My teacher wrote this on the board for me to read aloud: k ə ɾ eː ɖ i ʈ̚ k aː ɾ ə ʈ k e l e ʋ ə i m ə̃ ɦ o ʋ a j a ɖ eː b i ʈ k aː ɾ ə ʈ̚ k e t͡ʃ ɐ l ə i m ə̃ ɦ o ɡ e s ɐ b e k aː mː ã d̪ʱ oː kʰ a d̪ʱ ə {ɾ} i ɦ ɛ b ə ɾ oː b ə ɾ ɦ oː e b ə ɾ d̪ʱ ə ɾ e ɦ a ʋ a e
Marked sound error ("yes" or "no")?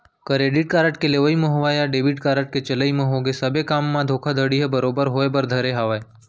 yes